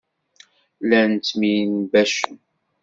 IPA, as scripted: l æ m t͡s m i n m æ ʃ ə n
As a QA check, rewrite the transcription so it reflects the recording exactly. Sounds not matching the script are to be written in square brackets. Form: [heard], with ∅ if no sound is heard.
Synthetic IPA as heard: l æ [n] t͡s m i n [b] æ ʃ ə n